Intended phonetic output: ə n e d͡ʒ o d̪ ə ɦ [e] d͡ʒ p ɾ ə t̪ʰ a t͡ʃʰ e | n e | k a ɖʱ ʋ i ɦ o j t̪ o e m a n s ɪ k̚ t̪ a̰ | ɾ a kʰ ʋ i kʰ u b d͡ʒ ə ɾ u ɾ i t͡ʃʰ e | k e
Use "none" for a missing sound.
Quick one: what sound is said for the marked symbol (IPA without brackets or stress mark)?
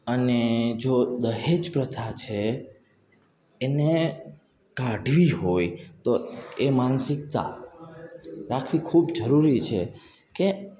e